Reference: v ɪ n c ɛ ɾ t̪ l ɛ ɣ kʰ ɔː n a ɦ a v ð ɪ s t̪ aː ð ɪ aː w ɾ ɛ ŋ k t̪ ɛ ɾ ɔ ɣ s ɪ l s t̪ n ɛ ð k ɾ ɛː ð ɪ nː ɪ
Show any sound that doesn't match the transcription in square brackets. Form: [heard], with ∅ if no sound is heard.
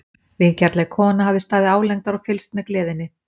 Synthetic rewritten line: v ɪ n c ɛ ɾ t̪ l ɛ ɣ kʰ ɔː n a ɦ a v ð ɪ s t̪ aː ð ɪ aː w [l] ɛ ŋ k t̪ [a] ɾ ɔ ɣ [f] ɪ l s t̪ [m] ɛ ð k [l] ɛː ð ɪ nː ɪ